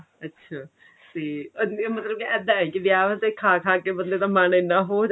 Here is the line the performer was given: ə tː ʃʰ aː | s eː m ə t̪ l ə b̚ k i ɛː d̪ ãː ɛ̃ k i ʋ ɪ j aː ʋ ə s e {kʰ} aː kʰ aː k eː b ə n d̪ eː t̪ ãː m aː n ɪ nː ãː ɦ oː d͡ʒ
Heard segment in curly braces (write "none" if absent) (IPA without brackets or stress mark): kʰ